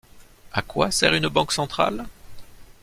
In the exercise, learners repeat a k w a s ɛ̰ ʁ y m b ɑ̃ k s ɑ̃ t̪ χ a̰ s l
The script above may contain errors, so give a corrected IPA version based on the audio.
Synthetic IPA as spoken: a k w a s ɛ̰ ʁ y n b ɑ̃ k s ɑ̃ t̪ χ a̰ l